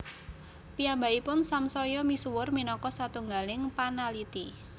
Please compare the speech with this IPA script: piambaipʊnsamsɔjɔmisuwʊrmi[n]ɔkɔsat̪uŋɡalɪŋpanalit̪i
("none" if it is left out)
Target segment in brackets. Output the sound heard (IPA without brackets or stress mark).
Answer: n